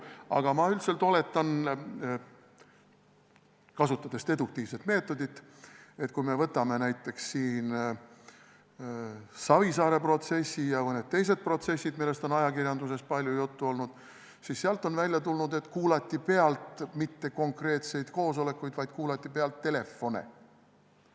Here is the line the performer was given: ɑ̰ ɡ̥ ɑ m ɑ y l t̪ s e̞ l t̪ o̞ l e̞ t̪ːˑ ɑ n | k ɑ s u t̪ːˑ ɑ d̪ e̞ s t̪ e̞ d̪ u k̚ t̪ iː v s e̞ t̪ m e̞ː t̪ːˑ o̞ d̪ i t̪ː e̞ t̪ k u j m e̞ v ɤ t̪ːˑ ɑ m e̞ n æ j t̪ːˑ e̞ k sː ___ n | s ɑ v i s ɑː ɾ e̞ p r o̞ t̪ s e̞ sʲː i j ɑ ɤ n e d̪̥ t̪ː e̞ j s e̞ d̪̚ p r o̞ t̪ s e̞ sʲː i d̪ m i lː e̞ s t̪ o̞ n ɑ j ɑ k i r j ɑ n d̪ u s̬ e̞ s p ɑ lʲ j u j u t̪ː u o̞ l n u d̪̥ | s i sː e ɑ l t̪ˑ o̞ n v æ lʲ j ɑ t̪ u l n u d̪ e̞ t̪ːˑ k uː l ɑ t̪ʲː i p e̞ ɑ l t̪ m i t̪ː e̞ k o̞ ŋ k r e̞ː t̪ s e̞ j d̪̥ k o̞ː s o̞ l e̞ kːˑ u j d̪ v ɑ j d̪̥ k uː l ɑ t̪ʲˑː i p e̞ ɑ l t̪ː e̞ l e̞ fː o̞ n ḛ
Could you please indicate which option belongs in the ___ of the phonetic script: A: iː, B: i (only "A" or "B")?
A